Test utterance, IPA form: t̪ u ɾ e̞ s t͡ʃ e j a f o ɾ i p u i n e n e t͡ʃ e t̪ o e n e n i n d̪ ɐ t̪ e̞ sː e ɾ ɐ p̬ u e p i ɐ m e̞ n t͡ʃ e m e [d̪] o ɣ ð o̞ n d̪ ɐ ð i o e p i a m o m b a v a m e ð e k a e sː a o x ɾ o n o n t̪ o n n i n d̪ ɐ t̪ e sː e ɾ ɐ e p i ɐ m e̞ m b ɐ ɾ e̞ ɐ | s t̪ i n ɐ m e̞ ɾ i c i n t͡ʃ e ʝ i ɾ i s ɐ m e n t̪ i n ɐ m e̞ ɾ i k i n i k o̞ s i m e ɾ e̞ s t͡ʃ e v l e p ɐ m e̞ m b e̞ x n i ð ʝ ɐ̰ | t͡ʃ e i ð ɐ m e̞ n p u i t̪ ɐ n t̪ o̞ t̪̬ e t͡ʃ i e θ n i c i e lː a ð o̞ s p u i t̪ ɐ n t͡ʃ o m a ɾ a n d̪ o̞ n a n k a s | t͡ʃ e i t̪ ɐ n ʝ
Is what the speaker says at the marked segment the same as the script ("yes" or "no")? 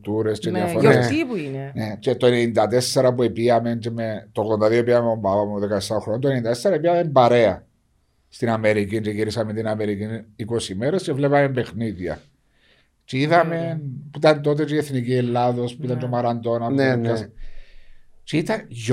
no